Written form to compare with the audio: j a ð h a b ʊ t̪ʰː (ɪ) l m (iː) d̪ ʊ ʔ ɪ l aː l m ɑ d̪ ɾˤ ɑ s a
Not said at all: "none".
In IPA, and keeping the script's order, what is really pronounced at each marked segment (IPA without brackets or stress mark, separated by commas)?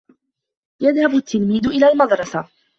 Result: ɪ, iː